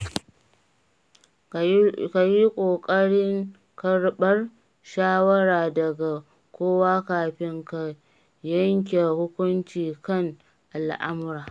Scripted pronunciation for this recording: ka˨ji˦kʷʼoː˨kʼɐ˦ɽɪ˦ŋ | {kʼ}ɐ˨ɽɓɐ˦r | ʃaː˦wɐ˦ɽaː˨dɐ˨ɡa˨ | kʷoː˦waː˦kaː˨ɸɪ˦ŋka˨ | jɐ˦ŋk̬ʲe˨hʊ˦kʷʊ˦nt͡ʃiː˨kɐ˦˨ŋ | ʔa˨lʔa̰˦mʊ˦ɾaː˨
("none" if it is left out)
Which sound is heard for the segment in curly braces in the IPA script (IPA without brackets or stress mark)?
k